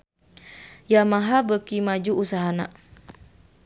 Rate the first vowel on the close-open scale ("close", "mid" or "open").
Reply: open